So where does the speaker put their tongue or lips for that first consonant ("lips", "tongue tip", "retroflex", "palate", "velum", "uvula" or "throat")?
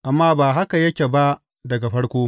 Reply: throat